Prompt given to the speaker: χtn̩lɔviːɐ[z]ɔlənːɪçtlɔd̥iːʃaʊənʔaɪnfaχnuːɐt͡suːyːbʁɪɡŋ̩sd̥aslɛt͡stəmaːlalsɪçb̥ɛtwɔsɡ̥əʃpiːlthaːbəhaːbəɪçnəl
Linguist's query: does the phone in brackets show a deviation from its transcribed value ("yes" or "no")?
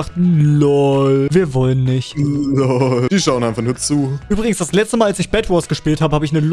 yes